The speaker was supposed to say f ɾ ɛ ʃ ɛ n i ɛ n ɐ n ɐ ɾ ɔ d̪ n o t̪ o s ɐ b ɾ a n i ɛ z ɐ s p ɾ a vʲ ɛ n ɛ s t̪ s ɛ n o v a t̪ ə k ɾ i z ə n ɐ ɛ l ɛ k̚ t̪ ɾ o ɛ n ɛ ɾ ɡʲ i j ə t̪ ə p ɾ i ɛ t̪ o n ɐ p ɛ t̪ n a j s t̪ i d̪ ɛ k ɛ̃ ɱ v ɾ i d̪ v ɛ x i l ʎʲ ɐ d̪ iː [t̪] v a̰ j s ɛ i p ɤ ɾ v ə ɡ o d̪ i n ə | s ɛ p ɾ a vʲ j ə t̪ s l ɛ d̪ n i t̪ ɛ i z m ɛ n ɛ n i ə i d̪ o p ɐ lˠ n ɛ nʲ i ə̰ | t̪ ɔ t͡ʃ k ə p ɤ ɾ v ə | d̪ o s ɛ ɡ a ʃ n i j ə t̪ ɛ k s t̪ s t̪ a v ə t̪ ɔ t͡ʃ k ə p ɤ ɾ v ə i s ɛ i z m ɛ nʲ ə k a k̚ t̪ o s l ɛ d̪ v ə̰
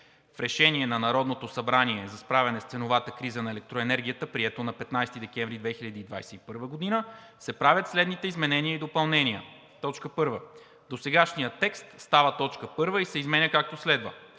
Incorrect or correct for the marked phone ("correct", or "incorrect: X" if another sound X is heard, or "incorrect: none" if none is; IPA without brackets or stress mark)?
incorrect: d̪